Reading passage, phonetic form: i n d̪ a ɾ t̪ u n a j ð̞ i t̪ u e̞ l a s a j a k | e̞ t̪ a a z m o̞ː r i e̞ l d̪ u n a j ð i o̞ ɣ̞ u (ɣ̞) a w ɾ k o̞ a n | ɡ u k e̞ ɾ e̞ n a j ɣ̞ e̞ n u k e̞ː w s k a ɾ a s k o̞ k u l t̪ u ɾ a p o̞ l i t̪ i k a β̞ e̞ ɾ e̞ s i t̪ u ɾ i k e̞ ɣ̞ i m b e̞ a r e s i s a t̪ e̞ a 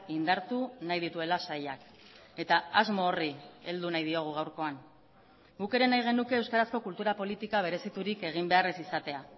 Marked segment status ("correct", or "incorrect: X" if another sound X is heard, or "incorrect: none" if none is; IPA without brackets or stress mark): correct